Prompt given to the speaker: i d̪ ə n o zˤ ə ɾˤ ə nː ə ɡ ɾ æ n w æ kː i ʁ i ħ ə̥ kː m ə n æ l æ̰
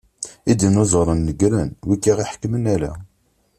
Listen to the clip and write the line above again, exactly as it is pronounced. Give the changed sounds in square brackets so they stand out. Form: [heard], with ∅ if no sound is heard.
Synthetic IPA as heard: i d̪ ə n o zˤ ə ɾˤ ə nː ə ɡ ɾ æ n w [i] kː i ʁ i ħ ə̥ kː m ə n æ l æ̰